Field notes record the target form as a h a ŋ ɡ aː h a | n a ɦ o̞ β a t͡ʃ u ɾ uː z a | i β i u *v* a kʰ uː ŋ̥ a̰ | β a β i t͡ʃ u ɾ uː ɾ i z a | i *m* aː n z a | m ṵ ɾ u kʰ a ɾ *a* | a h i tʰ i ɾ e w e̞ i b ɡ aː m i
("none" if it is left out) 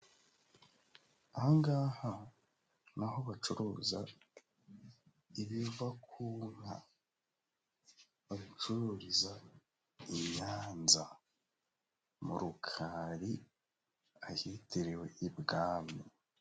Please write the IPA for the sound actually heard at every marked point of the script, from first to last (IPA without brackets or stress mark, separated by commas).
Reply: v, ɲ, i